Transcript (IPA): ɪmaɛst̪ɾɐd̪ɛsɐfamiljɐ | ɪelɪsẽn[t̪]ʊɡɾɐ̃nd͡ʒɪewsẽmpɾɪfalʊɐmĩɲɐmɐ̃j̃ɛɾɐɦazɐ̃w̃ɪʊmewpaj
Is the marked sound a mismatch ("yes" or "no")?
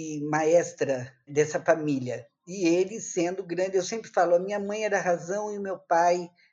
yes